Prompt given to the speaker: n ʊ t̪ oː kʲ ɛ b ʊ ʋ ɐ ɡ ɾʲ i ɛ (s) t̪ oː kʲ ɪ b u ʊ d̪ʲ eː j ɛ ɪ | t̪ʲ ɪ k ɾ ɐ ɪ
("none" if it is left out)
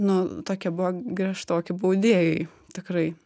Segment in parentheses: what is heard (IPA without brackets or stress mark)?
ʃ